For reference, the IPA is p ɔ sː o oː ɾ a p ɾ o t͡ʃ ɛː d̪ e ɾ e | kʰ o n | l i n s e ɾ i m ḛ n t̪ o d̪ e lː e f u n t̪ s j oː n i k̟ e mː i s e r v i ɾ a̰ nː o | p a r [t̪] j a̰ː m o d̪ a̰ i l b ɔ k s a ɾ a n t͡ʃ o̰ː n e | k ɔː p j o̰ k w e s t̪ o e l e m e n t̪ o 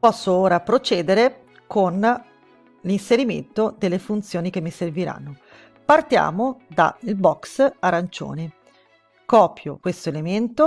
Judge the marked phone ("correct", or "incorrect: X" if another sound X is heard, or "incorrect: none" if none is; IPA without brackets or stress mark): correct